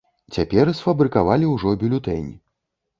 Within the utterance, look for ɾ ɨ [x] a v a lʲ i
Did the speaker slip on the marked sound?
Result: yes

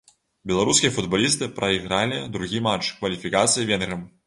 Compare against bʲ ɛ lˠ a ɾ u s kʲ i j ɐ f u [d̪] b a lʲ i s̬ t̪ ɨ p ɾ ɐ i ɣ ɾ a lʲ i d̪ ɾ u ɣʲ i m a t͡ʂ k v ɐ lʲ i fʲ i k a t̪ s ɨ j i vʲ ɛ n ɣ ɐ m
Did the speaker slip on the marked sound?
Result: no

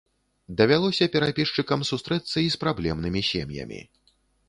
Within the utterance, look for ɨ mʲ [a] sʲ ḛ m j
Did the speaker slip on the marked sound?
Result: yes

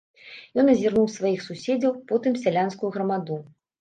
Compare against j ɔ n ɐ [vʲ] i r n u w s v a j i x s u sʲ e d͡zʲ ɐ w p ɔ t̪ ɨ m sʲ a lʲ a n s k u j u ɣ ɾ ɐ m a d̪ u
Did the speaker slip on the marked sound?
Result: yes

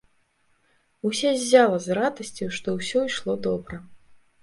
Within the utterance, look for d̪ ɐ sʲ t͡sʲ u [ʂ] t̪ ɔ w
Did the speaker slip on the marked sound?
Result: no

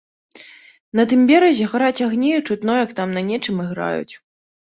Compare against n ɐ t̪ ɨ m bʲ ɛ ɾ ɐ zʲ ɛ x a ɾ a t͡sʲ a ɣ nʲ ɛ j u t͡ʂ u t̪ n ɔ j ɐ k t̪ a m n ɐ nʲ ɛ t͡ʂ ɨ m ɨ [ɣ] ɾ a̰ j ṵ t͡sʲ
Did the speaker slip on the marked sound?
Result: no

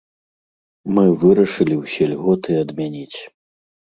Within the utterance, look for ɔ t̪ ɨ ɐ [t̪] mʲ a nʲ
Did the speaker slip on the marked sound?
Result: yes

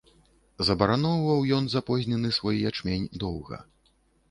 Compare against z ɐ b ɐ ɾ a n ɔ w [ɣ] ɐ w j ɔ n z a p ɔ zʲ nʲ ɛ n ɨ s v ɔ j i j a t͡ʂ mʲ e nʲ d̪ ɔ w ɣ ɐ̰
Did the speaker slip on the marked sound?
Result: yes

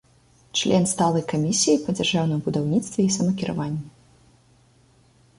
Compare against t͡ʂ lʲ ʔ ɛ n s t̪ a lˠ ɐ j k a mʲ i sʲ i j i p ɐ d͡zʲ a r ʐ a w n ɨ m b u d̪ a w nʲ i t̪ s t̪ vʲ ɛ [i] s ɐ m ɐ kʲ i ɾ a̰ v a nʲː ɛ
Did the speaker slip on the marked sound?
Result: no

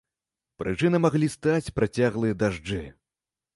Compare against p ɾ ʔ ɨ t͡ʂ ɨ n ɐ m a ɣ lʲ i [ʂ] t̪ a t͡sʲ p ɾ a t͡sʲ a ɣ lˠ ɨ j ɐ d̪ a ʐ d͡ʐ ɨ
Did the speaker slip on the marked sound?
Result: yes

